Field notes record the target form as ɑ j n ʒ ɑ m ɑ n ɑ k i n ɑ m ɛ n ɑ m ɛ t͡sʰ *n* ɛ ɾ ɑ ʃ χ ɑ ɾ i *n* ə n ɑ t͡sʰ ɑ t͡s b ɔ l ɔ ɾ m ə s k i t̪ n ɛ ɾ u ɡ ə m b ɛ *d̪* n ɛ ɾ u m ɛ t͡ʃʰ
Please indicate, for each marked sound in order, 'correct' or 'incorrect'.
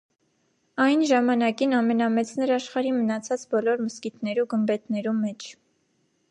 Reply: correct, incorrect: m, incorrect: t̪

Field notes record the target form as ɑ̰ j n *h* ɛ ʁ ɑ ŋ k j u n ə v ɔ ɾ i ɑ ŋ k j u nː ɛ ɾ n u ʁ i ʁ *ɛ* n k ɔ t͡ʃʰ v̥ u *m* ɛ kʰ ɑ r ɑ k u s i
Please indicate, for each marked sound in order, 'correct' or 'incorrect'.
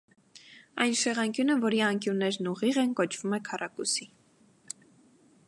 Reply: incorrect: ʃ, correct, correct

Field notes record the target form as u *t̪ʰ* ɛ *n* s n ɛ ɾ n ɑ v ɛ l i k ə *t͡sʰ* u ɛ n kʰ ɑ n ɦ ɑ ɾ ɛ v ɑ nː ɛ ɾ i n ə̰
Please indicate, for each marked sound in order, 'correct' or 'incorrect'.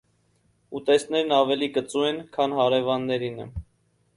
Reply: incorrect: t̪, incorrect: none, incorrect: t͡s

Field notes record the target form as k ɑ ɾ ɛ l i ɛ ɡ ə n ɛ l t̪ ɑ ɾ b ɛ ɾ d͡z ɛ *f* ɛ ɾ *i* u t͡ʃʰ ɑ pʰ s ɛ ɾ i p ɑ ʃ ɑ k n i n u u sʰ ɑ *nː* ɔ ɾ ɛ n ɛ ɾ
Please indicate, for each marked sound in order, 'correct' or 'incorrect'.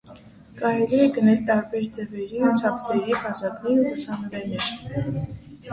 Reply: incorrect: v, correct, incorrect: n

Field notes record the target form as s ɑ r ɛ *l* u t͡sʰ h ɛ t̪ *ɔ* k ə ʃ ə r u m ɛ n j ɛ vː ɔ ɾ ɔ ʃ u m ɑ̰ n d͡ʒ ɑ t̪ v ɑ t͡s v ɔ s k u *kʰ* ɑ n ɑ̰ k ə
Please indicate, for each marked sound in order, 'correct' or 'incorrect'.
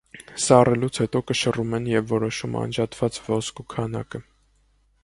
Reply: correct, correct, correct

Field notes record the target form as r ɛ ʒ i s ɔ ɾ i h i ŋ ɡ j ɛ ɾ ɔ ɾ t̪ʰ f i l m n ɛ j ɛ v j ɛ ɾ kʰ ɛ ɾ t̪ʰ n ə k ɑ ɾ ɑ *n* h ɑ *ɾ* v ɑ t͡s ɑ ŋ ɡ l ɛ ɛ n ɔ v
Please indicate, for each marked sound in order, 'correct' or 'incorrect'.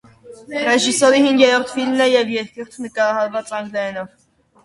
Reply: incorrect: none, correct

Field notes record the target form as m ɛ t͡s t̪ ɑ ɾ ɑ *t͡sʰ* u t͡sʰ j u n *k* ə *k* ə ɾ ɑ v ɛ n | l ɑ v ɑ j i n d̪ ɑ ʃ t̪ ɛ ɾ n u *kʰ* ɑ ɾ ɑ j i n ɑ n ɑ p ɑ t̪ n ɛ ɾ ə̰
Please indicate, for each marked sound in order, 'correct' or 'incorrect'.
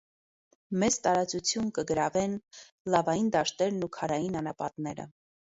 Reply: incorrect: t͡s, correct, incorrect: ɡ, correct

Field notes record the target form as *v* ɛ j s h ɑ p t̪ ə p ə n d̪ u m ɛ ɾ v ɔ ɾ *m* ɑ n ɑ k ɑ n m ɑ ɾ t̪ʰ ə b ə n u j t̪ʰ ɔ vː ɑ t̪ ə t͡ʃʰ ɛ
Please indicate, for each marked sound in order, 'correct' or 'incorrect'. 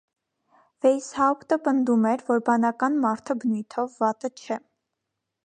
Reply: correct, incorrect: b

